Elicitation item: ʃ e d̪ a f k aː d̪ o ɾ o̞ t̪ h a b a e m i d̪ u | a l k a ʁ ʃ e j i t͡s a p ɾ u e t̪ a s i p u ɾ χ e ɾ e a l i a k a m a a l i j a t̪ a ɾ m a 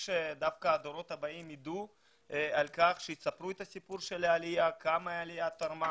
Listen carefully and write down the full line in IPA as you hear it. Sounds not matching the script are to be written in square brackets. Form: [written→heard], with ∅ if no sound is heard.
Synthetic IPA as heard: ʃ e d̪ a f k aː d̪ o ɾ o̞ t̪ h a b a [e→i] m i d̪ u | a l k a [ʁ→χ] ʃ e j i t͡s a p ɾ u e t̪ a s i p u ɾ [χ→ʃ] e [ɾ→l] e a l i a k a m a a l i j a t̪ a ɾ m a